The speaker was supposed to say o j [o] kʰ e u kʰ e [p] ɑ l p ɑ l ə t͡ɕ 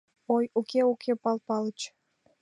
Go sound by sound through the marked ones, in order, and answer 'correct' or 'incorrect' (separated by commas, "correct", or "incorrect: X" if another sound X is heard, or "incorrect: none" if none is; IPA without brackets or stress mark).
incorrect: u, correct